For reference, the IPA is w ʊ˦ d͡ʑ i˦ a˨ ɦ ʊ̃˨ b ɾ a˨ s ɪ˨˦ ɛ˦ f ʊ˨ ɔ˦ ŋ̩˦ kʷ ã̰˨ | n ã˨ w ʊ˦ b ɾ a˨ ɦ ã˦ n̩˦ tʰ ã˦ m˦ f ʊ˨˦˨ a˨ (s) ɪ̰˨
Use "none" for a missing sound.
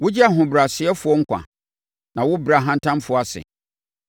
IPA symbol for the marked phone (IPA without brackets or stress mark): s